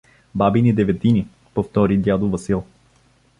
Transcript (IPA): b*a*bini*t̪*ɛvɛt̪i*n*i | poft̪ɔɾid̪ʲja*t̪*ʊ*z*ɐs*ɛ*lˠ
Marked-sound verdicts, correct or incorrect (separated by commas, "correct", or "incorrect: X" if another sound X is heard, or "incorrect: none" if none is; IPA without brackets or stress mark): correct, incorrect: d̪, correct, incorrect: d̪, incorrect: v, incorrect: i